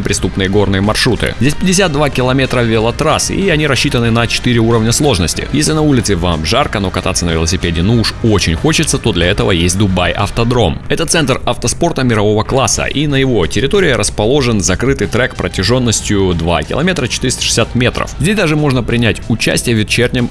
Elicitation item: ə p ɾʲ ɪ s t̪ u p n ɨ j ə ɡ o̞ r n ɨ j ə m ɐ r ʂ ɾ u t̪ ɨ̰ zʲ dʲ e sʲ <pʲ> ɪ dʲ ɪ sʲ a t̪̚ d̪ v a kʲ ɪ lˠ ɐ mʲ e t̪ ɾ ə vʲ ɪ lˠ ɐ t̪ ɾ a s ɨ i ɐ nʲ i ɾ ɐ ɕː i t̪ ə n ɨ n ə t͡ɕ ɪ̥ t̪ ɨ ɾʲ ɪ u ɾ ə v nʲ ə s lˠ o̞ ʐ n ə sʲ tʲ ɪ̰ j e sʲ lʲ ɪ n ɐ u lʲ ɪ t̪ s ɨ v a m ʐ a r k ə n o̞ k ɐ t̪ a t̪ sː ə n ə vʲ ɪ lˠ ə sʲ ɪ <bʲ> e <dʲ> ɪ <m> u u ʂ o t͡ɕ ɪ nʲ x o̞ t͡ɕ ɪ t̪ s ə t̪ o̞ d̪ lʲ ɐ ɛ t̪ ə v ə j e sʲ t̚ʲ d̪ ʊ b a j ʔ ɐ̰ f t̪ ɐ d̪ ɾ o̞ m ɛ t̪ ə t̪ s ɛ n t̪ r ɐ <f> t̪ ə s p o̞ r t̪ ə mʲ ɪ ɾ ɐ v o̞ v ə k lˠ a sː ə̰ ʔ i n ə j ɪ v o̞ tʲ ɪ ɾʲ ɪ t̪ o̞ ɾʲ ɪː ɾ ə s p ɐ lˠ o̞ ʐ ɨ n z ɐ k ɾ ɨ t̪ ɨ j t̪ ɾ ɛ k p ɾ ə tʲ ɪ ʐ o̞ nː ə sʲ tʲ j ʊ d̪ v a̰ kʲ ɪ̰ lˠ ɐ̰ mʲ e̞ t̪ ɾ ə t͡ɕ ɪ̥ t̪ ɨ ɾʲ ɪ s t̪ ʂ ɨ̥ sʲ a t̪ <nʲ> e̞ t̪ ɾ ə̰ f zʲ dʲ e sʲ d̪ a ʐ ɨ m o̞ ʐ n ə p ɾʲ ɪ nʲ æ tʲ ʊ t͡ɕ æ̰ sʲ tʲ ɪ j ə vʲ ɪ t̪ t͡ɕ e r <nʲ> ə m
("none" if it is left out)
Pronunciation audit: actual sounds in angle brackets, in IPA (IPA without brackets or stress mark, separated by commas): pʲ, pʲ, dʲ, n, f, mʲ, nʲ